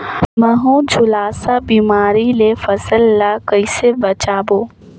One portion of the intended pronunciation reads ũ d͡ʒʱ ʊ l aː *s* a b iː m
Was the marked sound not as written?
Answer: no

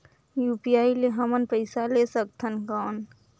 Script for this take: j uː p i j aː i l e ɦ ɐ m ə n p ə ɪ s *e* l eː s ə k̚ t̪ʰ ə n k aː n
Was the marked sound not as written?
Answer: yes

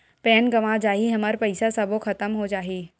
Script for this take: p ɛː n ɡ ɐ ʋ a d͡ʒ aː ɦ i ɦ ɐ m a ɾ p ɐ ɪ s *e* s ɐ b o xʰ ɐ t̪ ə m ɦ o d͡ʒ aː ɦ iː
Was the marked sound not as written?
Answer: yes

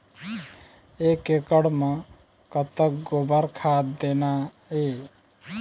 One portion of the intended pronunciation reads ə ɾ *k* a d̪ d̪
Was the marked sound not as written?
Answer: yes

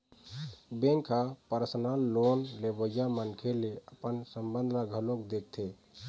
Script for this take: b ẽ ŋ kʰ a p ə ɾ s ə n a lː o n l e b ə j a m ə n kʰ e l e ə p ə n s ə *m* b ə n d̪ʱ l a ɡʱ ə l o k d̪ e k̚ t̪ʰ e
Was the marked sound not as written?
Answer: no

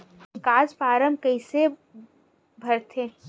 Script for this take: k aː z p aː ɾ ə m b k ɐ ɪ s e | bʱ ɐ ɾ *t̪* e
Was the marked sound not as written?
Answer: yes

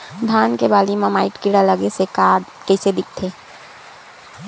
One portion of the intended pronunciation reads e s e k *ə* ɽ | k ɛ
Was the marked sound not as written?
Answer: yes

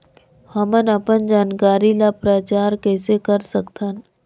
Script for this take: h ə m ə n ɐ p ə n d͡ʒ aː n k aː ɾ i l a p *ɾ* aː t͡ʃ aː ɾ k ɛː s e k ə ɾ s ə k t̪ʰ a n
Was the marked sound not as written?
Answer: no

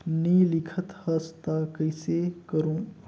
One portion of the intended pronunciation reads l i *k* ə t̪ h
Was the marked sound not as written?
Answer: yes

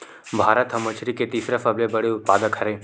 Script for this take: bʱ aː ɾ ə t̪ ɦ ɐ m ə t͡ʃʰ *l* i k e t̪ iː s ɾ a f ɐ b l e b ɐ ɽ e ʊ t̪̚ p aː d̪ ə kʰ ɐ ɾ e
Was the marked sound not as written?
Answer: yes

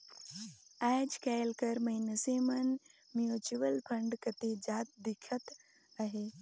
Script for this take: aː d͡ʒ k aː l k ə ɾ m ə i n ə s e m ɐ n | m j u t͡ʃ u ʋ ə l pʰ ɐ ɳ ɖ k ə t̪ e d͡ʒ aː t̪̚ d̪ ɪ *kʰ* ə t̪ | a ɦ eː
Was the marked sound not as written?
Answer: no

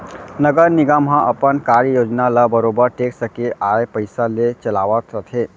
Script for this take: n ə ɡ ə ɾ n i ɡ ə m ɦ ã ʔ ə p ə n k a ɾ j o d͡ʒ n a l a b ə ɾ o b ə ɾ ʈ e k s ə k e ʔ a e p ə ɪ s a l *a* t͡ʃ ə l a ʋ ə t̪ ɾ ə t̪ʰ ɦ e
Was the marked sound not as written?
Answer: yes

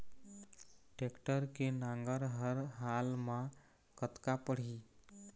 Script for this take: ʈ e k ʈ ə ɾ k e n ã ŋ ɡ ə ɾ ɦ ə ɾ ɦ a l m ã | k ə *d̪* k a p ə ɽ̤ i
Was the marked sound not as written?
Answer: yes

